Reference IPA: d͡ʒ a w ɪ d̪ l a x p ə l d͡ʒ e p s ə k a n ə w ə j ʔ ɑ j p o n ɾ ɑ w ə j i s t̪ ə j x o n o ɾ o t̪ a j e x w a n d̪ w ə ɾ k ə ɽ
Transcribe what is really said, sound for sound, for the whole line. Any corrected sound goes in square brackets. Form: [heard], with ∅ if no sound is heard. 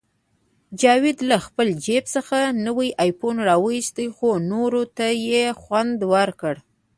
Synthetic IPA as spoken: d͡ʒ [ɑ] w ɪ d̪ l a x p ə l d͡ʒ e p s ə [x] a n ə w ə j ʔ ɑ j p o n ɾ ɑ w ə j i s t̪ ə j x o n o ɾ o t̪ a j e x w a n d̪ w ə ɾ k ə ɽ